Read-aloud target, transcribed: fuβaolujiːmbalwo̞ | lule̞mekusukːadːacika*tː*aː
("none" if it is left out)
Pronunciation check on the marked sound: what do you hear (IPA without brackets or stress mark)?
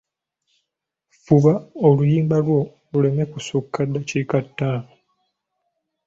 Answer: tː